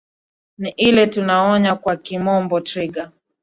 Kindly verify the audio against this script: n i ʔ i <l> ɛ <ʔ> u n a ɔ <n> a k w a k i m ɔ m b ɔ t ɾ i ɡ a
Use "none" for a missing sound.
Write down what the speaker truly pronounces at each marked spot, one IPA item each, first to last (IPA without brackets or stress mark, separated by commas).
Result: l, t, ɲ